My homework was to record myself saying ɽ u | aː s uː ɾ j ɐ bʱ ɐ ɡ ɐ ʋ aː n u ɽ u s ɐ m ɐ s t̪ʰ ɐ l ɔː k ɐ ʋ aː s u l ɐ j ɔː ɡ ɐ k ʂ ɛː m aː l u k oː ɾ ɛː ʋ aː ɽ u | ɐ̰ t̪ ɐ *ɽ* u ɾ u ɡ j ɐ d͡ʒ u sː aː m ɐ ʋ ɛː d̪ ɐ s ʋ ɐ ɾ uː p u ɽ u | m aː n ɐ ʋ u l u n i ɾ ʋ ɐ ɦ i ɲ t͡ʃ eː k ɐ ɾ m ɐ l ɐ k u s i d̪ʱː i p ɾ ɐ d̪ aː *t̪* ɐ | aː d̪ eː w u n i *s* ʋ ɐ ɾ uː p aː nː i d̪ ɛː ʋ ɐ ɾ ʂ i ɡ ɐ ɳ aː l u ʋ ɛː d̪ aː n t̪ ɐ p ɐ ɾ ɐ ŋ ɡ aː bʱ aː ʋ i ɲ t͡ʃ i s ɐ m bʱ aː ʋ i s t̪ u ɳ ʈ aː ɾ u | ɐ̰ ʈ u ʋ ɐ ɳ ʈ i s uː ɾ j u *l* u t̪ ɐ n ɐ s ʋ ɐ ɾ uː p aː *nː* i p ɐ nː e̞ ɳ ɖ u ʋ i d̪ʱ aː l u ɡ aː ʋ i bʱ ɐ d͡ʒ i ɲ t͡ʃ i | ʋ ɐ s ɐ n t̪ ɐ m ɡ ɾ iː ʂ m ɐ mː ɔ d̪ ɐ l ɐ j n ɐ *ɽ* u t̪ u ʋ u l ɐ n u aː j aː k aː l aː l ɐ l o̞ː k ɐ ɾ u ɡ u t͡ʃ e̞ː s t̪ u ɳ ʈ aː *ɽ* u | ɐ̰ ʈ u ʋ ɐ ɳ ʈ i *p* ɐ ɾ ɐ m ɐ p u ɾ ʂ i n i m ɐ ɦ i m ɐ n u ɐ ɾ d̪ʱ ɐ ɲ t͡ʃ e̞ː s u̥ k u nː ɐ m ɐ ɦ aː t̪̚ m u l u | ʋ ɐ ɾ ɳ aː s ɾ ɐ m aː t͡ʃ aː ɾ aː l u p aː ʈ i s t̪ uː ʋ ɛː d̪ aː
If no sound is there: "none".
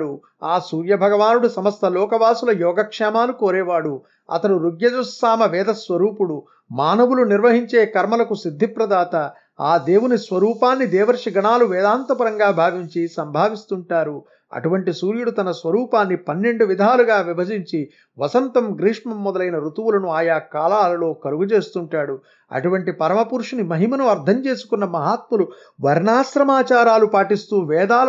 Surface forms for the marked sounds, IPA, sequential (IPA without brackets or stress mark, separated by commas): ɽ, t̪, s, ɽ, nː, ɾ, ɽ, p